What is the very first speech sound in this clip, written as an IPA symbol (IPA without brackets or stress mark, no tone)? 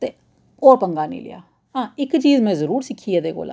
t̪